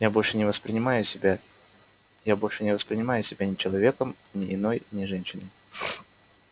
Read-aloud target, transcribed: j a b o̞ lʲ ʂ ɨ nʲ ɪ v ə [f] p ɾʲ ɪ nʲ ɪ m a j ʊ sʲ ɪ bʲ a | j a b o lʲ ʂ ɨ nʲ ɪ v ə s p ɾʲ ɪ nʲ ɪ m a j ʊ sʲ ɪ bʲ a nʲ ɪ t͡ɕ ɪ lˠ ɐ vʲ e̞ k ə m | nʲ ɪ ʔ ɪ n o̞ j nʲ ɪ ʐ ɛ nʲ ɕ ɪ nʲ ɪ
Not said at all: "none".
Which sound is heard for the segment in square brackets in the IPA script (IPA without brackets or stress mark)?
s